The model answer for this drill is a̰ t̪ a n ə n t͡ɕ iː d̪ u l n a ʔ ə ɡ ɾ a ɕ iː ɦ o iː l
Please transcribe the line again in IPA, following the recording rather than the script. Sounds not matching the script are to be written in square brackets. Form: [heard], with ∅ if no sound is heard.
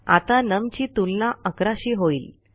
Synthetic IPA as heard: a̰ t̪ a n ə [m] t͡ɕ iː [t̪] u l n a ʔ ə [k] ɾ a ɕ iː ɦ o iː l